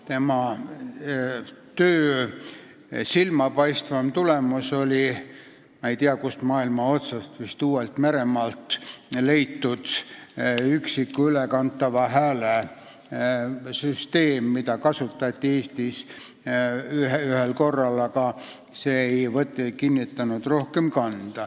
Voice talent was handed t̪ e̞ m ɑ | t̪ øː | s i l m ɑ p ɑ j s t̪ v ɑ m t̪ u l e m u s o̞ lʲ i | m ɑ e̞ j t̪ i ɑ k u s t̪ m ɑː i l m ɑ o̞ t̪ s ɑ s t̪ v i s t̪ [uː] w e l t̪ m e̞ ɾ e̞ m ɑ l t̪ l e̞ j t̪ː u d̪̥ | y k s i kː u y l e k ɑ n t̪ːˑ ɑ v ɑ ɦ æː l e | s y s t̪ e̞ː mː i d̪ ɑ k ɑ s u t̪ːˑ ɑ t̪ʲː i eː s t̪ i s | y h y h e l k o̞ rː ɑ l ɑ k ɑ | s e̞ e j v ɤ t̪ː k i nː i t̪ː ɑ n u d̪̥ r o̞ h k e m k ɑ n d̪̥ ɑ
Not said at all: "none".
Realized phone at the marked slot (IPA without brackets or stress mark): uː